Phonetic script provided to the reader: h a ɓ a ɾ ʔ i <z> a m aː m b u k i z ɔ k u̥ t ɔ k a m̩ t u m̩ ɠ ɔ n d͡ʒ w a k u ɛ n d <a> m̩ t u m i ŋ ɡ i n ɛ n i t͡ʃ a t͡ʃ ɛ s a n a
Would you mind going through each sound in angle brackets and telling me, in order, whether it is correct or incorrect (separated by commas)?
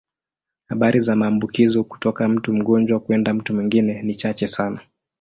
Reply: correct, correct